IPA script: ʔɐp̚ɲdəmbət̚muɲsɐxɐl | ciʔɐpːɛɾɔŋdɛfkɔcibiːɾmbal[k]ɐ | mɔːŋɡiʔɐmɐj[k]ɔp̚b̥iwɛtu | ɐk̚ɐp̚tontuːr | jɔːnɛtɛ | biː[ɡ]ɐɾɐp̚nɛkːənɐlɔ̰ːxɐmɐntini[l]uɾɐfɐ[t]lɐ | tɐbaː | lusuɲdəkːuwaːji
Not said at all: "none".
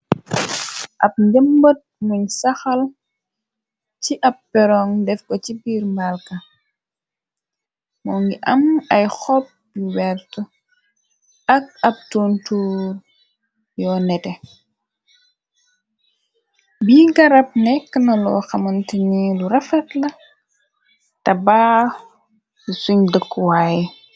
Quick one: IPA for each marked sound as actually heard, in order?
k, x, ɡ, l, t

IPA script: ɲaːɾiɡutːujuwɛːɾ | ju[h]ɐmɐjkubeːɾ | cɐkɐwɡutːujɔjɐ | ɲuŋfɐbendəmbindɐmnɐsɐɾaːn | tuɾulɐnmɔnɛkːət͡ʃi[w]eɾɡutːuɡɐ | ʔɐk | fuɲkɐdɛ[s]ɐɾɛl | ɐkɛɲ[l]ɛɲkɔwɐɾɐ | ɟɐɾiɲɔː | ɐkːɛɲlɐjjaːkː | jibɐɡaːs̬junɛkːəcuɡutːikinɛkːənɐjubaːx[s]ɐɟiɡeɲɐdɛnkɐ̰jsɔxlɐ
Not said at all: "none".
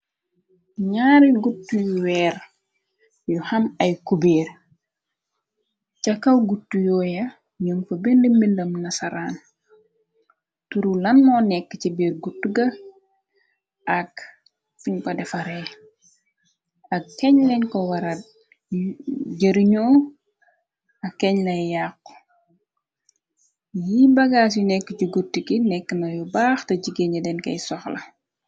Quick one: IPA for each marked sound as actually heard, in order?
h, b, f, l, t

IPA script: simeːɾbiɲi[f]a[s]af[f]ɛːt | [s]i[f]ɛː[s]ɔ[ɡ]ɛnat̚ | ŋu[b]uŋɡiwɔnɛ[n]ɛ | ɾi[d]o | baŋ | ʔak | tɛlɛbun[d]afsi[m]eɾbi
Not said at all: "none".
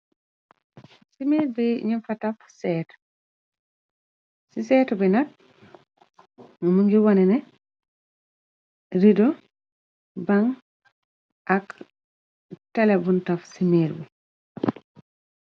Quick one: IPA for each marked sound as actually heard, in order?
f, t, s, s, s, t, b, m, n, d, t, m

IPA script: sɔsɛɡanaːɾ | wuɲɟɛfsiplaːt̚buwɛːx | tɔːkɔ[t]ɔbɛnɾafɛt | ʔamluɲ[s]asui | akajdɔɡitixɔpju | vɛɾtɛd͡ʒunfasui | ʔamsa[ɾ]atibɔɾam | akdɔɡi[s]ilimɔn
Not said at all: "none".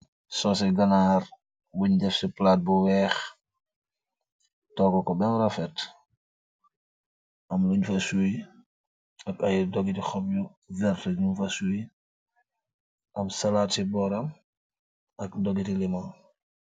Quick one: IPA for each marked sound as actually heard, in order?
k, f, l, t

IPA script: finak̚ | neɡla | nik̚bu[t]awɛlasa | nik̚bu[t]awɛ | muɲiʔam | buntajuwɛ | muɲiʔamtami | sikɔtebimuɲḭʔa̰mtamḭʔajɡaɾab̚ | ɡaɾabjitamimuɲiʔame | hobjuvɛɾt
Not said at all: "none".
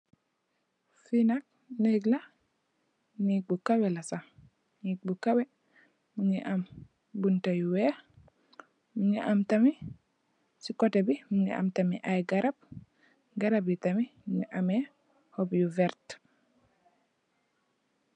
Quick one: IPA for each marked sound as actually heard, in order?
k, k

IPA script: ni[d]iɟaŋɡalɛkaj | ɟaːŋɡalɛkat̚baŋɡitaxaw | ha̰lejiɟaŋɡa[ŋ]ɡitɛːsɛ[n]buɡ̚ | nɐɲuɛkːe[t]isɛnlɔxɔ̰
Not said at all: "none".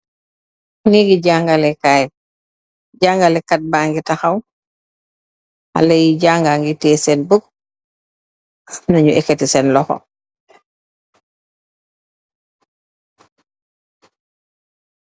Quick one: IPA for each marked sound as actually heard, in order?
ɡ, ŋ, n, t

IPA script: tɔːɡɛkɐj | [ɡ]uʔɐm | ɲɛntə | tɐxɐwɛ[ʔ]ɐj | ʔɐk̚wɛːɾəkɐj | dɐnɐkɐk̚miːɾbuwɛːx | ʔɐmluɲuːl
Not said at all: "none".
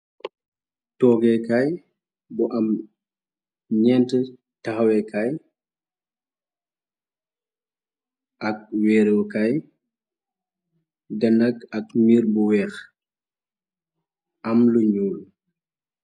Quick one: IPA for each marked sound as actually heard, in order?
b, k

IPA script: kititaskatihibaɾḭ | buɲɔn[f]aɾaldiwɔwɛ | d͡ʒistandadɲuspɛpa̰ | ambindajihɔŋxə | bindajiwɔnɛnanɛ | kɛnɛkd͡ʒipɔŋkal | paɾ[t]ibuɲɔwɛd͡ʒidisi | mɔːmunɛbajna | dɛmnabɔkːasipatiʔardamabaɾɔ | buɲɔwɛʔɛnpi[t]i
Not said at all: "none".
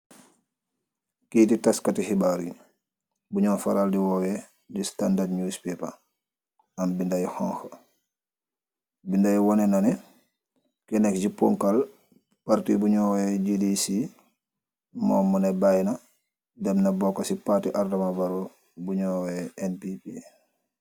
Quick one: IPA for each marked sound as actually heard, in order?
f, t, p

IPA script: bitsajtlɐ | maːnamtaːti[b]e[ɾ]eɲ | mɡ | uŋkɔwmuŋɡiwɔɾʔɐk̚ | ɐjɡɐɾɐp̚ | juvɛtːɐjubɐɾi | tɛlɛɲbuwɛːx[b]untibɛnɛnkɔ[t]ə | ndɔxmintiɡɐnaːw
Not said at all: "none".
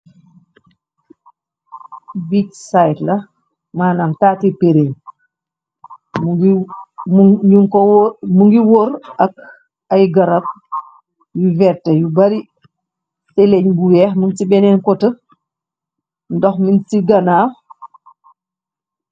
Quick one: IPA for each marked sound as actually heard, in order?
p, ɾ, m, t

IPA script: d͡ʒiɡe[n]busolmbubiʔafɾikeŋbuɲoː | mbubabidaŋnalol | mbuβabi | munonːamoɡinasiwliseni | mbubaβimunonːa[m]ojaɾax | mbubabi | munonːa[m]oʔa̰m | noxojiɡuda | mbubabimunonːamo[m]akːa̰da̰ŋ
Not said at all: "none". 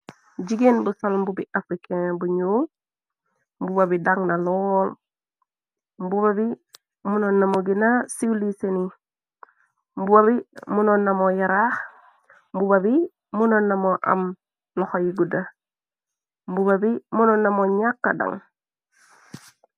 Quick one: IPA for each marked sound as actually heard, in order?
n, m, m, ɲ

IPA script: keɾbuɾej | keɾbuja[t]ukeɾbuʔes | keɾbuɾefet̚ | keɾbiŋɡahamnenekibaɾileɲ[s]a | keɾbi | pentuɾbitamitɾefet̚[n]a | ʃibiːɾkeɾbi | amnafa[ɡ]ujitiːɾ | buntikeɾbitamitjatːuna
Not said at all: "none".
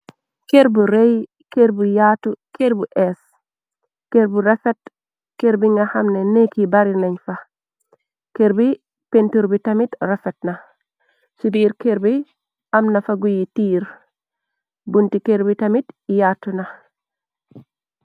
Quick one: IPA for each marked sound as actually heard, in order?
t, f, n, ɡ

